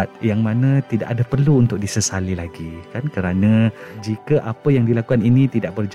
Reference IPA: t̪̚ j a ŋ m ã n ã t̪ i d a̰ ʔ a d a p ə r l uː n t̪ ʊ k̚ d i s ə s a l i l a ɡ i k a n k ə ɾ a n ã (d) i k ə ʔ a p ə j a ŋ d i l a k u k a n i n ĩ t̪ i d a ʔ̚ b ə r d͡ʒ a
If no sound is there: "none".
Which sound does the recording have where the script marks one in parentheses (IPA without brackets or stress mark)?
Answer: d͡ʒ